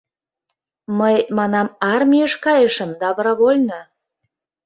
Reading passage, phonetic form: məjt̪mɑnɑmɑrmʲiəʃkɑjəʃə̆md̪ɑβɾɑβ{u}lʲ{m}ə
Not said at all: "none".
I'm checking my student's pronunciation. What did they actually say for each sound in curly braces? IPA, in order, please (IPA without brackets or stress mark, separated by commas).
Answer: o, n